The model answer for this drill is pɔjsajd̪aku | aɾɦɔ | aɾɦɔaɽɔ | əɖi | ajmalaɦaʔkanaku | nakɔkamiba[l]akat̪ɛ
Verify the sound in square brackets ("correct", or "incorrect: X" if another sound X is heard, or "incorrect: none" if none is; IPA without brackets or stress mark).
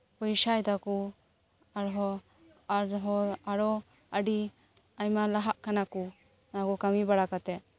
incorrect: ɽ